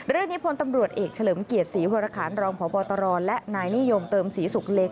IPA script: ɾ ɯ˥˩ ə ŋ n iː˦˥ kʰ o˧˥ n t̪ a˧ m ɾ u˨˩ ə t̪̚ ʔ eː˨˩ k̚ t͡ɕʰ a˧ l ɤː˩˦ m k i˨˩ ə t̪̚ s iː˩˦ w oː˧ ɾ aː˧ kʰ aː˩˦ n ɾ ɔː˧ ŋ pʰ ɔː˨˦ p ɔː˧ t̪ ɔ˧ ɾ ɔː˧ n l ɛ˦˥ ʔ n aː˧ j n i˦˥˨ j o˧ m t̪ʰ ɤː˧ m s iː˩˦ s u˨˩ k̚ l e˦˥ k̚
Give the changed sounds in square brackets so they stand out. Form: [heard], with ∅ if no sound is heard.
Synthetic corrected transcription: ɾ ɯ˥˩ ə ŋ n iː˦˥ [pʰ] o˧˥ n t̪ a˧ m ɾ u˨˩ ə t̪̚ ʔ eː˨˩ k̚ t͡ɕʰ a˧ l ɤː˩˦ m k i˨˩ ə t̪̚ s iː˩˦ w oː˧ ɾ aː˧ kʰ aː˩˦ n ɾ ɔː˧ ŋ pʰ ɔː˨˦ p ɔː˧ t̪ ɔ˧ ɾ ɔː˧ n l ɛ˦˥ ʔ n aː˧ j n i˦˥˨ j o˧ m [t̪] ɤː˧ m s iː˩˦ s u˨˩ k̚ l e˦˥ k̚